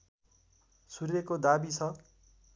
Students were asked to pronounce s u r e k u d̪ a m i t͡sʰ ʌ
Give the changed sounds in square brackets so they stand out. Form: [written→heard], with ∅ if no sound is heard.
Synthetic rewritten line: s u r e k [u→o] d̪ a [m→b] i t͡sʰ ʌ

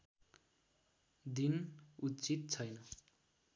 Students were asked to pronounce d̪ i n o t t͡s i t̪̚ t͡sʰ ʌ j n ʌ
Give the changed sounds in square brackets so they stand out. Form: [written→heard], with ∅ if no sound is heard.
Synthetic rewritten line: d̪ i n [o→u] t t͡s i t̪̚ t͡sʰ ʌ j n ʌ

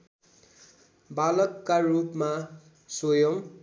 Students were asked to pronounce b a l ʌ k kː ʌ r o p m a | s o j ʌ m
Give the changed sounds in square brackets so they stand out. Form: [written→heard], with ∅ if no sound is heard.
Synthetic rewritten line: b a l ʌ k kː [ʌ→a] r [o→u] p m a | s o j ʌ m

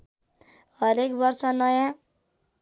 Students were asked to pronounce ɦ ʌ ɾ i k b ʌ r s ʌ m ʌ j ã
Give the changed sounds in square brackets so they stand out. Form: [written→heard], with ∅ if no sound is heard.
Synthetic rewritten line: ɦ ʌ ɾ [i→e] k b ʌ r s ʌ [m→n] ʌ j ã

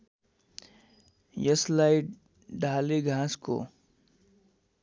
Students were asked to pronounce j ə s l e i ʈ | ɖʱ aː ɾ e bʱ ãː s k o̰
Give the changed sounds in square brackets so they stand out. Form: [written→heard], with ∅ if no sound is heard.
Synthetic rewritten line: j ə s l [e→a] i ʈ | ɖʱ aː [ɾ→l] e [bʱ→ɡʱ] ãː s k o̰

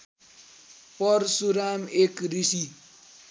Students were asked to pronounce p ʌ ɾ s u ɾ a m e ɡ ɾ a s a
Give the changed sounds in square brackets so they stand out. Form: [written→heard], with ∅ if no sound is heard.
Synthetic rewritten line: p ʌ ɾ s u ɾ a m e [ɡ→k] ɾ [a→i] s [a→i]

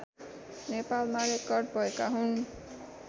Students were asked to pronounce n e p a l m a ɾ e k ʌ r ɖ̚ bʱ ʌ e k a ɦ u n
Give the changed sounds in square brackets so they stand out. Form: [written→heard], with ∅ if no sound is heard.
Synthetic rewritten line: n e p a l m a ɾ e k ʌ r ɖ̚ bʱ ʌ e k a ɦ u n

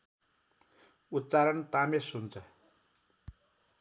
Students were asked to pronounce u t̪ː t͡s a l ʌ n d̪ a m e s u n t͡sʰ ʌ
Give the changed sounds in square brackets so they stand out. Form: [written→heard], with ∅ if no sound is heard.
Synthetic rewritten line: u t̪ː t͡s a [l→ɾ] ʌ n [d̪→t̪] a m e s u n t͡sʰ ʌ

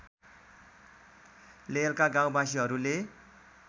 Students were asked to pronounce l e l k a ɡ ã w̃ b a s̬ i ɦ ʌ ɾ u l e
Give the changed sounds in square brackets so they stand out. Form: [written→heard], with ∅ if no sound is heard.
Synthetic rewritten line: l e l k a ɡ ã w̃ b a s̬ i ɦ ʌ ɾ u l e

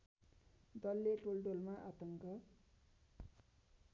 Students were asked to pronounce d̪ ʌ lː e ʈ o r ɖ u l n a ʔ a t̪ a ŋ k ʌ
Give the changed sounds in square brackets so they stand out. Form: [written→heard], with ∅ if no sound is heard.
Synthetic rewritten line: d̪ ʌ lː e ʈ o [r→l] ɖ [u→o] l [n→m] a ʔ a t̪ [a→ʌ] ŋ k ʌ

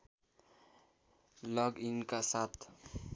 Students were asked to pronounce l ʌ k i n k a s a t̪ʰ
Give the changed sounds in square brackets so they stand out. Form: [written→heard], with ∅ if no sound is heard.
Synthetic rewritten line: l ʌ [k→ɡ] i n k a s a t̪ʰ

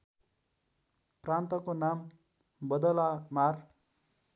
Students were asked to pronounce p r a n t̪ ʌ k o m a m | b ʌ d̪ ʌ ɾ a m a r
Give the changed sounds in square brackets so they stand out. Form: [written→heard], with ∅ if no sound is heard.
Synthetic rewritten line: p r a n t̪ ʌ k o [m→n] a m | b ʌ d̪ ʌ [ɾ→l] a m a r

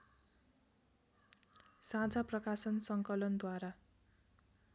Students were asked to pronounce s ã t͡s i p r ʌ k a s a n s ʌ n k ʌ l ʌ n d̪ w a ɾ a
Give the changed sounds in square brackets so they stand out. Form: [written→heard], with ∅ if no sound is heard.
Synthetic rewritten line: s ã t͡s [i→a] p r ʌ k a s [a→ʌ] n s ʌ [n→ŋ] k ʌ l ʌ n d̪ w a ɾ a

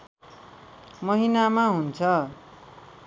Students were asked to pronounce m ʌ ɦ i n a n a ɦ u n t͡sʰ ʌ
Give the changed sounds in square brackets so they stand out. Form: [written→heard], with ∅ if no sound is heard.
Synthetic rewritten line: m ʌ ɦ i n a [n→m] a ɦ u n t͡sʰ ʌ

